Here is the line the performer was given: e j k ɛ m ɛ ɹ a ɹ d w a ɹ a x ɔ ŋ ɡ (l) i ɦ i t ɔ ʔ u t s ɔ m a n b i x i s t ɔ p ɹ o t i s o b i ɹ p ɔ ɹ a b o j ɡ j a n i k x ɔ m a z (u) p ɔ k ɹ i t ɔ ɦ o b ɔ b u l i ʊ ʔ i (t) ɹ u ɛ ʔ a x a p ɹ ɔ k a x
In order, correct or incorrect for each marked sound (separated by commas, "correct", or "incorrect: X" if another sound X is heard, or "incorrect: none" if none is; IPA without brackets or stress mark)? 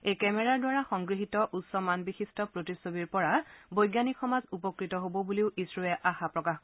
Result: incorrect: ɹ, correct, incorrect: s